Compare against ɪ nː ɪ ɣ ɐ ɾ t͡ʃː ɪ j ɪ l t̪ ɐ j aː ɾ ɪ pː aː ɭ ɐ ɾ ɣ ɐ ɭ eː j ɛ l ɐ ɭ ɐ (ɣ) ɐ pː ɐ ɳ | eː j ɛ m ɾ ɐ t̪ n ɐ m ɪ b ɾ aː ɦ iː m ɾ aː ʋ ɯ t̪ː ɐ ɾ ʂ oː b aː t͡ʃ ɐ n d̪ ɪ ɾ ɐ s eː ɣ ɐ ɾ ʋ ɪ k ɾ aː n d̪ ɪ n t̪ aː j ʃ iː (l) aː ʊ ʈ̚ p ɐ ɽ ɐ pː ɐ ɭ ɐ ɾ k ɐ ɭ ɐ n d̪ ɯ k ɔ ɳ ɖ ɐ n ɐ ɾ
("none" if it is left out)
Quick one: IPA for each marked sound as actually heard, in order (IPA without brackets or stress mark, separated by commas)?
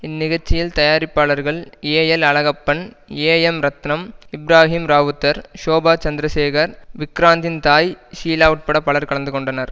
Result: ɣ, l